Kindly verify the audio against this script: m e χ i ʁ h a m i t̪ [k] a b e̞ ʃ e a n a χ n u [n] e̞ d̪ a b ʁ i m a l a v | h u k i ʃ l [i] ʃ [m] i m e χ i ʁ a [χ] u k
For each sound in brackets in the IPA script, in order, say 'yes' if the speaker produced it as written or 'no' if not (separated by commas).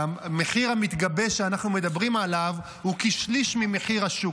no, no, yes, yes, no